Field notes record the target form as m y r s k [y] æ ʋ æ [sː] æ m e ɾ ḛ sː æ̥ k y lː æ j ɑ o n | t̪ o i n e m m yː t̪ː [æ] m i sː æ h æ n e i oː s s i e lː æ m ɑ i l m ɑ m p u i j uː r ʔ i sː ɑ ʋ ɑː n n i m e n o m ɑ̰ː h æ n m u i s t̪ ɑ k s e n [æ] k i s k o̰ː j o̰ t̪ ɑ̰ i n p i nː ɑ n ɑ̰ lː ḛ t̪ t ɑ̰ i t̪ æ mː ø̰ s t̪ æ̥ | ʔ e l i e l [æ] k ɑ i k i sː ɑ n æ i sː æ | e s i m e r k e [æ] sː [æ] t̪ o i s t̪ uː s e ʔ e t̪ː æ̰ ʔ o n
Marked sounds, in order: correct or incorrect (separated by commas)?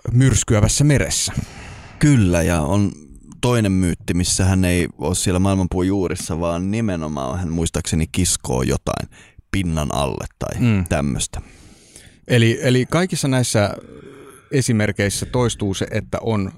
correct, correct, incorrect, incorrect, incorrect, incorrect, correct